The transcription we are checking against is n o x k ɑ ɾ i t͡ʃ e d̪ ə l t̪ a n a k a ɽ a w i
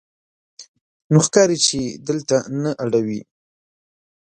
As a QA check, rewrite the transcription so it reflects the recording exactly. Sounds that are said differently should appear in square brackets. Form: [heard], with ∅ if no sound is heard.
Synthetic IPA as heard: n o x k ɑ ɾ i t͡ʃ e d̪ ə l t̪ a n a [ʔ] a ɽ a w i